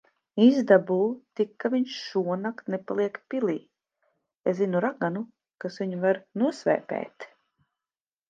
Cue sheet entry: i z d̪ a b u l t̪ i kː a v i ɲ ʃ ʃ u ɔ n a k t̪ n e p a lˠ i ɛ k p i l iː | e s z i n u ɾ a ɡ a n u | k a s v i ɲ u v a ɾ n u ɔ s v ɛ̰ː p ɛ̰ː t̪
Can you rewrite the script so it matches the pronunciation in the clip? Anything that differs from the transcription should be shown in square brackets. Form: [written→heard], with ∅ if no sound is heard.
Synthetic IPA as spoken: i z d̪ a b u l t̪ i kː a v i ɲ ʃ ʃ u ɔ n a k t̪ n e p a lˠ i ɛ k p i l iː | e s z i n u ɾ a ɡ a n u | k a s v i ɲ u v a ɾ n u ɔ s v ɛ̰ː p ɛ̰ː t̪

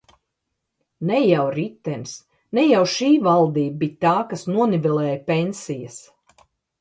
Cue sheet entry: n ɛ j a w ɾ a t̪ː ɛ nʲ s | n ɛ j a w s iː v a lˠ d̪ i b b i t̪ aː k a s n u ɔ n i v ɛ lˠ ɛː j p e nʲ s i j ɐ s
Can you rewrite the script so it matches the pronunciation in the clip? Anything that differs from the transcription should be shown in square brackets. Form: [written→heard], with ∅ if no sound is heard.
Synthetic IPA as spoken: n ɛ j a w ɾ [a→i] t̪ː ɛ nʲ s | n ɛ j a w [s→ʃ] iː v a lˠ d̪ [i→iː] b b i t̪ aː k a s n u ɔ n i v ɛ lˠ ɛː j p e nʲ s i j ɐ s

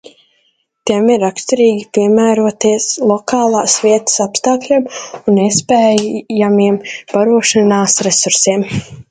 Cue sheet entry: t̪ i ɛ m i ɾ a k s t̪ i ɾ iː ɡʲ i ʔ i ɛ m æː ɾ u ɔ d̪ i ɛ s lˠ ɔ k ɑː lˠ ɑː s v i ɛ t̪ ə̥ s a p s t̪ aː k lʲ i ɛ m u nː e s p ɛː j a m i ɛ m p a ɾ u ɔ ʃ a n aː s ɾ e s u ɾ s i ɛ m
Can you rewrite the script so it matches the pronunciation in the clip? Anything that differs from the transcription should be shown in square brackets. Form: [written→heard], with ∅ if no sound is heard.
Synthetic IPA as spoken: t̪ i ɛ m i ɾ a k s t̪ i ɾ iː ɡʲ i [ʔ→p] i ɛ m æː ɾ u ɔ [d̪→t̪] i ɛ s lˠ ɔ k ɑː lˠ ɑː s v i ɛ t̪ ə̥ s a p s t̪ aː k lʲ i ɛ m u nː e s p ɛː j a m i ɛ m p a ɾ u ɔ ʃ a n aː s ɾ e s u ɾ s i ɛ m

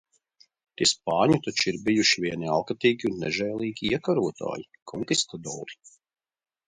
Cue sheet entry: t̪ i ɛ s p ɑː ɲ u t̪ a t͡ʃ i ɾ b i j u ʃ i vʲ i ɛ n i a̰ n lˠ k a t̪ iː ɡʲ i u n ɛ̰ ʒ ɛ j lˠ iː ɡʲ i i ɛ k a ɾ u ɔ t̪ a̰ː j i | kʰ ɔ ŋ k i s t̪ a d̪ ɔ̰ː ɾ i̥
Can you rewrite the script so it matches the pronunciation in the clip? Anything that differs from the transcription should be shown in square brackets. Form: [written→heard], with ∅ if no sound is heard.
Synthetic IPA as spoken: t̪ i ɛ s p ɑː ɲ u t̪ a t͡ʃ i ɾ b i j u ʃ i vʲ i ɛ n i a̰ [n→∅] lˠ k a t̪ iː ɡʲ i u [n→nː] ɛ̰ ʒ ɛ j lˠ iː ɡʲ i i ɛ k a ɾ u ɔ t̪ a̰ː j i | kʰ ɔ ŋ k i s t̪ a d̪ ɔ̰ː ɾ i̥

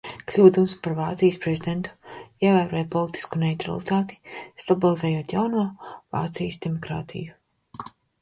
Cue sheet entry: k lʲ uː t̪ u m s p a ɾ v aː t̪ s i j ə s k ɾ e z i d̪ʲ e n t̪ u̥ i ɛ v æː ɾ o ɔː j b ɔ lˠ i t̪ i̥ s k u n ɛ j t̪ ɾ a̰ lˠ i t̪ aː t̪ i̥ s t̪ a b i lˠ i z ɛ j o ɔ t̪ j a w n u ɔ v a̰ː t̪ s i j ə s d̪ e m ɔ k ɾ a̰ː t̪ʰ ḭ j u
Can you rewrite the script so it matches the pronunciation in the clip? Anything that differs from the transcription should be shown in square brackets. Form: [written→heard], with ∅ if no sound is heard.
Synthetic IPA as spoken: k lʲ uː [t̪→d̪] u m s p a ɾ v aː t̪ s i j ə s [k→p] ɾ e z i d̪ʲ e n t̪ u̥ i ɛ v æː ɾ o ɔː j [b→p] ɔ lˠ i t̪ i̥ s k u n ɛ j t̪ ɾ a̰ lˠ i t̪ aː t̪ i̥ s t̪ a b i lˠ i z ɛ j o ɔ t̪ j a w n u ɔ v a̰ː t̪ s i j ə s d̪ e m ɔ k ɾ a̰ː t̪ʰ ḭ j u

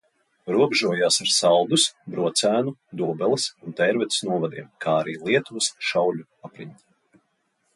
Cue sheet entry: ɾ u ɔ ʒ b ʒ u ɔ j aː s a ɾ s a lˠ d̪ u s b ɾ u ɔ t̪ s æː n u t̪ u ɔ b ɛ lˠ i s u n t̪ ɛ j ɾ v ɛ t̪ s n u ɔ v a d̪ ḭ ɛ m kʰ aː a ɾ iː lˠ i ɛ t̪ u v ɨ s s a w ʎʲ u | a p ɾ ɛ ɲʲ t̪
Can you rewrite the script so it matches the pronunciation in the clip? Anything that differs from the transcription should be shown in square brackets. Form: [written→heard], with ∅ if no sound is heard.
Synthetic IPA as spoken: ɾ u ɔ [ʒ→∅] b ʒ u ɔ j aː s a ɾ s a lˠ d̪ u s b ɾ u ɔ t̪ s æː n u [t̪→d̪] u ɔ b ɛ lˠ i s u n t̪ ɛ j ɾ v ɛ t̪ s n u ɔ v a d̪ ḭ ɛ m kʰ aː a ɾ iː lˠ i ɛ t̪ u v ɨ s [s→ʃ] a w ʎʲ u | a p ɾ [ɛ→i] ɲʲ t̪

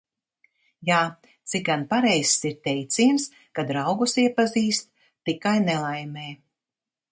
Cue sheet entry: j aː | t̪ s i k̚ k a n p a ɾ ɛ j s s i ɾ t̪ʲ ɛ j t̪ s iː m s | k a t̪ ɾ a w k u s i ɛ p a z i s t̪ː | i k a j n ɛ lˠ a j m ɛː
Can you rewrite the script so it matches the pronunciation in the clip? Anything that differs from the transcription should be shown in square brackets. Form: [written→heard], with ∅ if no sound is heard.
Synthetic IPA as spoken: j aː | t̪ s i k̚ [k→ɡ] a n p a ɾ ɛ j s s i ɾ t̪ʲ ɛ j t̪ s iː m s | k a [t̪→d̪] ɾ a w [k→ɡ] u s i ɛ p a z [i→iː] s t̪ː | i k a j n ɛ lˠ a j m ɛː

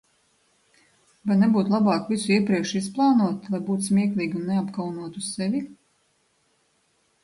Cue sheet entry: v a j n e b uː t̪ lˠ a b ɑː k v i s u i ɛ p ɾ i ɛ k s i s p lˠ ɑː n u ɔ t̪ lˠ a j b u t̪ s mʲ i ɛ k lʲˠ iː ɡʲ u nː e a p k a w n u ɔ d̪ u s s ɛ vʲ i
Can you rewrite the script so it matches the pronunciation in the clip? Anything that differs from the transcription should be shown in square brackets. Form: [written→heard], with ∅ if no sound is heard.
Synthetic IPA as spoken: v a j n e b uː t̪ lˠ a b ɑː k v i s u i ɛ p ɾ i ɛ k [s→ʃ] i s p lˠ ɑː n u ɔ t̪ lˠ a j b [u→uː] t̪ s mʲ i ɛ k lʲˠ iː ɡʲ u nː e a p k a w n u ɔ [d̪→t̪] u s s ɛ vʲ i

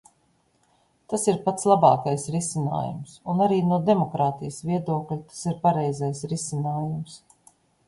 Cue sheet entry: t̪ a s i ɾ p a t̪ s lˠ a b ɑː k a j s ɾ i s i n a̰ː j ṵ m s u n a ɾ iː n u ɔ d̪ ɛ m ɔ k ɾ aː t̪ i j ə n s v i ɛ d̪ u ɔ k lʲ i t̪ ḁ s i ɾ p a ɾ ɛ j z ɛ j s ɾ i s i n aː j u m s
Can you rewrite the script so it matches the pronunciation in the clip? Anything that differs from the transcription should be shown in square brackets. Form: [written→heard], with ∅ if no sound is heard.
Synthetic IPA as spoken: t̪ a s i ɾ p a t̪ s lˠ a b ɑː k a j s ɾ i s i n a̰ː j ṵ m s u n a ɾ iː n u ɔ d̪ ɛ m ɔ k ɾ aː t̪ i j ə [n→∅] s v i ɛ d̪ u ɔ k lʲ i t̪ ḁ s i ɾ p a ɾ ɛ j z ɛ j s ɾ i s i n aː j u m s

